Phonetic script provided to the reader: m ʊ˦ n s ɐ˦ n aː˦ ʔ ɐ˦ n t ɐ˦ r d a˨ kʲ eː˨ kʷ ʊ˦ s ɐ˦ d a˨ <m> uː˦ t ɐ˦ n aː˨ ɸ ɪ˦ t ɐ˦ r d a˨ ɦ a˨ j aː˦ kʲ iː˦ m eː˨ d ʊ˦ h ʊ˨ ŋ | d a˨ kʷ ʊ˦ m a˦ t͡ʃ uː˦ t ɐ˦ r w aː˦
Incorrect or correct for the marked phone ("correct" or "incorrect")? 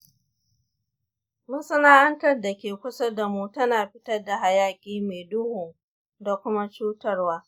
correct